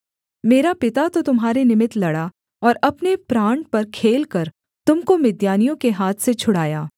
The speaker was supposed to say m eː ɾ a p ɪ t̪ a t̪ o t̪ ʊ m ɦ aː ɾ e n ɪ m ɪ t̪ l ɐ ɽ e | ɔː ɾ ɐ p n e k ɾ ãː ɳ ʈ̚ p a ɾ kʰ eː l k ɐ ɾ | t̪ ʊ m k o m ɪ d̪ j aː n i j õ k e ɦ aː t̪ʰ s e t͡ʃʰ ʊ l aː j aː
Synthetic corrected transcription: m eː ɾ a p ɪ t̪ a t̪ o t̪ ʊ m ɦ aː ɾ e n ɪ m ɪ t̪ l ɐ ɽ a | ɔː ɾ ɐ p n e p ɾ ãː ɳ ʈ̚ p ɐ ɾ kʰ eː l k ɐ ɾ | t̪ ʊ m k o m ɪ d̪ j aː n i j õ k e ɦ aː t̪ʰ s e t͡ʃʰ ʊ ɽ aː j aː

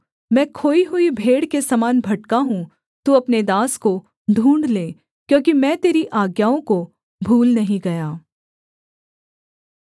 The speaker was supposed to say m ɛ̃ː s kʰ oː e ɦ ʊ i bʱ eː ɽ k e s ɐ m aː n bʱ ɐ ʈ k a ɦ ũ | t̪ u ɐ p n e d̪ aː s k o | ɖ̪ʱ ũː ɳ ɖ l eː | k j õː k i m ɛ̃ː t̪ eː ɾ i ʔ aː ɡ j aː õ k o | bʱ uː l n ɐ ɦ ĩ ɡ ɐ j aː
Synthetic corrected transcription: m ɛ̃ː kʰ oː i ɦ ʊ i bʱ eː ɽ k e s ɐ m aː n bʱ ɐ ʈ k a ɦ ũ | t̪ u ɐ p n e d̪ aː s k o | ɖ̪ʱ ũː ɳ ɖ l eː | k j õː k i m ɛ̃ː t̪ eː ɾ i ʔ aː ɡ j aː õ k o | bʱ uː l n ɐ ɦ ĩ ɡ ɐ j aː

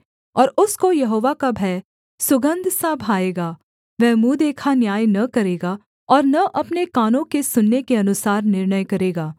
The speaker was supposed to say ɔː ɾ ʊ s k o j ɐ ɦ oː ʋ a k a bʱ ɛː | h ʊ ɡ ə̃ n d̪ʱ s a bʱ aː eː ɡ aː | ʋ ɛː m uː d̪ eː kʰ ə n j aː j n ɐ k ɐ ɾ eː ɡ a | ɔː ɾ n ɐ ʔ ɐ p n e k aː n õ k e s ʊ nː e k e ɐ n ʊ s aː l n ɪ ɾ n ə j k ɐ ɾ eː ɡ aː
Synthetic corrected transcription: ɔː ɾ ʊ s k o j ɐ ɦ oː ʋ a k a bʱ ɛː | s ʊ ɡ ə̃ n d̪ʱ s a bʱ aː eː ɡ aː | ʋ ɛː m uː d̪ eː kʰ a n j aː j n ɐ k ɐ ɾ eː ɡ a | ɔː ɾ n ɐ ʔ ɐ p n e k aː n õ k e s ʊ nː e k e ɐ n ʊ s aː ɾ n ɪ ɾ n ə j k ɐ ɾ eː ɡ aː

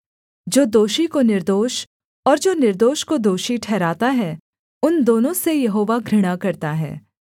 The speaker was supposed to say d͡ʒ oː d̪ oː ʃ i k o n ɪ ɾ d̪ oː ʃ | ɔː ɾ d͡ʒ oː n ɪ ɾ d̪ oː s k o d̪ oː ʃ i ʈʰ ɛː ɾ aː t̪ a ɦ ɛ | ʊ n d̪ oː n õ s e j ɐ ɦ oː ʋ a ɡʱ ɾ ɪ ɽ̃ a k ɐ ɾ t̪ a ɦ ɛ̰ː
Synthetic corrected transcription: d͡ʒ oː d̪ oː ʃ i k o n ɪ ɾ d̪ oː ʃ | ɔː ɾ d͡ʒ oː n ɪ ɾ d̪ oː ʃ k o d̪ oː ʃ i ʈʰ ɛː ɾ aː t̪ a ɦ ɛ | ʊ n d̪ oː n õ s e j ɐ ɦ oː ʋ a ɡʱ ɾ ɪ ɽ̃ a k ɐ ɾ t̪ a ɦ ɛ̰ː

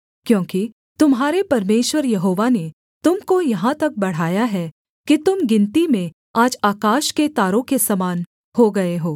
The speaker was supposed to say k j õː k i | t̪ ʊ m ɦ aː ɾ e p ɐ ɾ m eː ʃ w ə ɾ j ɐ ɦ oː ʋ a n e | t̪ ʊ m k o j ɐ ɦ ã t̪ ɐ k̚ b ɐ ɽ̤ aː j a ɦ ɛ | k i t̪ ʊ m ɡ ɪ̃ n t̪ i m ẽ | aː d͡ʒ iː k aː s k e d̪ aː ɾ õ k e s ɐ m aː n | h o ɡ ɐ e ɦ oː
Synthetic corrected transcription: k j õː k i | t̪ ʊ m ɦ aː ɾ e p ɐ ɾ m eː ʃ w ə ɾ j ɐ ɦ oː ʋ a n e | t̪ ʊ m k o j ɐ ɦ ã t̪ ɐ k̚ b ɐ ɽ̤ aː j a ɦ ɛ | k i t̪ ʊ m ɡ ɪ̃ n t̪ i m ẽ | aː d͡ʒ aː k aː ʃ k e t̪ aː ɾ õ k e s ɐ m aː n | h o ɡ ɐ e ɦ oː

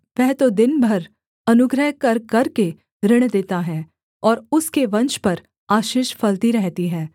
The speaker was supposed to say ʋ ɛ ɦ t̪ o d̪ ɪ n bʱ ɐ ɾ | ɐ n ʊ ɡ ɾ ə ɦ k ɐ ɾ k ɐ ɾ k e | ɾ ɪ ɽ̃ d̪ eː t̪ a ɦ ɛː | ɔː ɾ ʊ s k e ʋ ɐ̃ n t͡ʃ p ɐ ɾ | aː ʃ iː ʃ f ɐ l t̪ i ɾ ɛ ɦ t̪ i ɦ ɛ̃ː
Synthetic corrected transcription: ʋ ɛ ɦ t̪ o d̪ ɪ n bʱ ɐ ɾ | ɐ n ʊ ɡ ɾ ə ɦ k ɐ ɾ k ɐ ɾ k e | ɾ ɪ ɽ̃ d̪ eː t̪ a ɦ ɛː | ɔː ɾ ʊ s k e ʋ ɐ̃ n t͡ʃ p ɐ ɾ | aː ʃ iː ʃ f ɐ l t̪ i ɾ ɛ ɦ t̪ i ɦ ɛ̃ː

